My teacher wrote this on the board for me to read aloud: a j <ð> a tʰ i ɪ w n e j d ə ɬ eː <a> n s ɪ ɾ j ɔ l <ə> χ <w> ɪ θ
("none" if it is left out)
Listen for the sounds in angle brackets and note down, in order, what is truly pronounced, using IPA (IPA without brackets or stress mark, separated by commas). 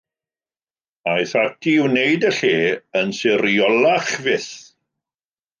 θ, ə, a, v